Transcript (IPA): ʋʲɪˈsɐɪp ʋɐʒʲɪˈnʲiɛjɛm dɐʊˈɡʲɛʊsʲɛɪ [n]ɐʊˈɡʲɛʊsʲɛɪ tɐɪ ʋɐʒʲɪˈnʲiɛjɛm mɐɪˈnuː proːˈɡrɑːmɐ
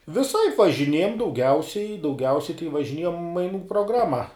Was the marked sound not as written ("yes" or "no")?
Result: yes